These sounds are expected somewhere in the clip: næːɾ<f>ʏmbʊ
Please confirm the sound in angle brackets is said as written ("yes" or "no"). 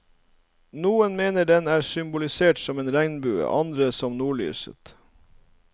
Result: no